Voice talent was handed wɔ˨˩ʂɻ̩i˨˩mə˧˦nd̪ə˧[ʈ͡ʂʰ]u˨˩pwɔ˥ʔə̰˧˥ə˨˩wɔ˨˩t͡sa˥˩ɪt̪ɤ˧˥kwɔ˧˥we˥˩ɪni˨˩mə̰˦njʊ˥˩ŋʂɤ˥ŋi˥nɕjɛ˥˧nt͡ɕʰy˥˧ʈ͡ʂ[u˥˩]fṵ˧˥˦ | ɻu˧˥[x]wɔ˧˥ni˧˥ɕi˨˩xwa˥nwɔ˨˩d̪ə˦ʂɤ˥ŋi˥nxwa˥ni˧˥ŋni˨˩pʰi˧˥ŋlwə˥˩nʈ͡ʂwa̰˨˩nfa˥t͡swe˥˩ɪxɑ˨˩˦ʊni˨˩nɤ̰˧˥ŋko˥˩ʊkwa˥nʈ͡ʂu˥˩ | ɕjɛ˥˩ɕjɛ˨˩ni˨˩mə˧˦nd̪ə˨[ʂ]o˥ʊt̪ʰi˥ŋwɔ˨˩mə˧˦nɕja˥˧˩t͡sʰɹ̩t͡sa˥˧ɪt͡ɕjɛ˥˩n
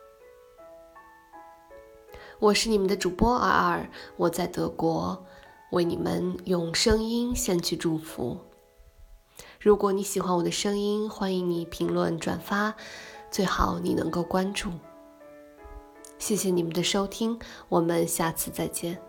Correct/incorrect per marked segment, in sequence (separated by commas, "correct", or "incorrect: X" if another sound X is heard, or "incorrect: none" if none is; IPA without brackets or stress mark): incorrect: ʈ͡ʂ, correct, incorrect: k, correct